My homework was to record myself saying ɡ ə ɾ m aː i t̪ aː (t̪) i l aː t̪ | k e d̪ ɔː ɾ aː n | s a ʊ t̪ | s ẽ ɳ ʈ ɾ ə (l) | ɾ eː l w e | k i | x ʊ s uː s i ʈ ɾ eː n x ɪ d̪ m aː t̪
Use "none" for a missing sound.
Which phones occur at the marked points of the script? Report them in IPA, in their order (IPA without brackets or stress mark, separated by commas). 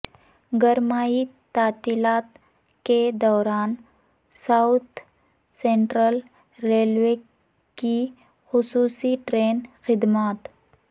t̪, l